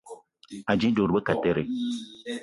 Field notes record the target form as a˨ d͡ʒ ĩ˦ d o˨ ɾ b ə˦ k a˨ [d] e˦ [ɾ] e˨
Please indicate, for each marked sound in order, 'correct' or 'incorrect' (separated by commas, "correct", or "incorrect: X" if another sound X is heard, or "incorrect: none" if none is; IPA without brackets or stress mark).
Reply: incorrect: t, correct